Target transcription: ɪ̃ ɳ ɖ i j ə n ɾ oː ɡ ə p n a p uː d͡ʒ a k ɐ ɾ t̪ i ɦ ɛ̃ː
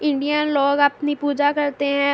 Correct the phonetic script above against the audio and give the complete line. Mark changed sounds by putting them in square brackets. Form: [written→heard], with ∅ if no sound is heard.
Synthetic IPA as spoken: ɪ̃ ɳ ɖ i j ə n [ɾ→l] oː ɡ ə p n [a→i] p uː d͡ʒ a k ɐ ɾ t̪ [i→e] ɦ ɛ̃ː